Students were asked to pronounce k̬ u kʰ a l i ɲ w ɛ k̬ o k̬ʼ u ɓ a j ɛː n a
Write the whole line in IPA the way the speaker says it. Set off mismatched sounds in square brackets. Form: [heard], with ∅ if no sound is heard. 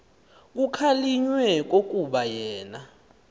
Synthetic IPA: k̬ u kʰ a l i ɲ w ɛ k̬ o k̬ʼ u ɓ a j ɛː n a